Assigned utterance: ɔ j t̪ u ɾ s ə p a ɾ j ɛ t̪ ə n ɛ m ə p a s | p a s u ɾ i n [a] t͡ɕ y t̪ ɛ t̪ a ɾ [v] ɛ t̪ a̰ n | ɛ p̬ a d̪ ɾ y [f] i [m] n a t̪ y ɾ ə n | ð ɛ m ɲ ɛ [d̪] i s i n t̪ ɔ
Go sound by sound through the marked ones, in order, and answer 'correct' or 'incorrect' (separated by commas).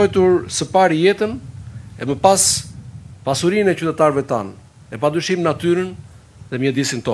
incorrect, correct, incorrect, correct, correct